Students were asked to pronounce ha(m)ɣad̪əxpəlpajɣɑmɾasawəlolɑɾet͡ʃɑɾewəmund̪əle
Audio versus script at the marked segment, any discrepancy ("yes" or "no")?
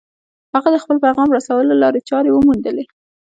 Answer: yes